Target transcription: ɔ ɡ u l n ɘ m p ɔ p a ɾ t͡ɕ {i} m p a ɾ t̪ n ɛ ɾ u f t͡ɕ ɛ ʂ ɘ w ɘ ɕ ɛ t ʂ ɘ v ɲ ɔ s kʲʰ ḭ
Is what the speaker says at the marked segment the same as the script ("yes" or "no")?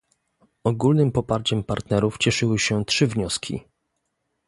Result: no